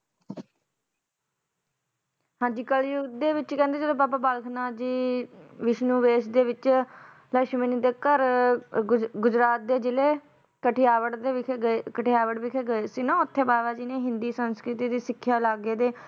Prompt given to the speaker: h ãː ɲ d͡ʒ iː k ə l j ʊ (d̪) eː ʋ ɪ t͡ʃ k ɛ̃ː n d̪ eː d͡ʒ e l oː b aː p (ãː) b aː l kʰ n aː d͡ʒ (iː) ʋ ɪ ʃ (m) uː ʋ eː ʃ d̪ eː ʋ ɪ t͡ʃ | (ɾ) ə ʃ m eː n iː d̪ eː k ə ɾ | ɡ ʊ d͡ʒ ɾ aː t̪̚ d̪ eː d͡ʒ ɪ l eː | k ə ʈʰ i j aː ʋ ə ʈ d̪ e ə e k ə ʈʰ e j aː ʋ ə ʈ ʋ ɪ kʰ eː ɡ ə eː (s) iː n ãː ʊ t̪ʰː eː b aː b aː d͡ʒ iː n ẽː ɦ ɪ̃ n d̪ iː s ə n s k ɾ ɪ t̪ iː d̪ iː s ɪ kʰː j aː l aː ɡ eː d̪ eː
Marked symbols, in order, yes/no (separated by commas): yes, no, yes, no, no, yes